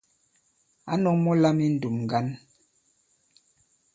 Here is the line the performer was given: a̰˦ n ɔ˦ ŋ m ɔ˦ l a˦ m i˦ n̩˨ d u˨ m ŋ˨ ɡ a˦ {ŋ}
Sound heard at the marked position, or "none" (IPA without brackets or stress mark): n